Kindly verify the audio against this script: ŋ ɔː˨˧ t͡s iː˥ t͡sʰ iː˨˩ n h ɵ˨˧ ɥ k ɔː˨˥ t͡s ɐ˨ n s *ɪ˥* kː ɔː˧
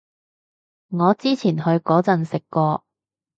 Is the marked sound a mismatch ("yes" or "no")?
yes